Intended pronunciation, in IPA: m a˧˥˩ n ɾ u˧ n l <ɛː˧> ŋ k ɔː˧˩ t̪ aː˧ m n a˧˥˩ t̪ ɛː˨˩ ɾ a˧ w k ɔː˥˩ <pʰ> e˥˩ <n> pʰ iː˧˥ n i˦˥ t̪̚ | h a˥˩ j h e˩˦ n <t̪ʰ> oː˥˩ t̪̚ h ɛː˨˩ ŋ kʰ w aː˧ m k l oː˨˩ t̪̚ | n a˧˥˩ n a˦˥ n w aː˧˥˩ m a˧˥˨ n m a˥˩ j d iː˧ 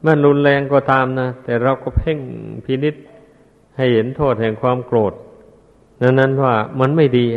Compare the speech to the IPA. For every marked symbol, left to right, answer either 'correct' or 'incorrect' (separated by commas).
correct, correct, incorrect, correct